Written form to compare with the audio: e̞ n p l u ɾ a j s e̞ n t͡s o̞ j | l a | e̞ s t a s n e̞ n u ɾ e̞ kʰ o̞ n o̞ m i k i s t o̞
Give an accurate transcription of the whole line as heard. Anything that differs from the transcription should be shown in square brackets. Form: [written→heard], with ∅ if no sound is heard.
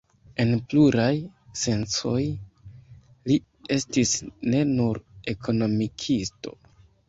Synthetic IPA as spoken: e̞ n p l u ɾ a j s e̞ n t͡s o̞ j | l [a→i] | e̞ s t [a→i] s n e̞ n u ɾ e̞ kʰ o̞ n o̞ m i [k→kʰ] i s t o̞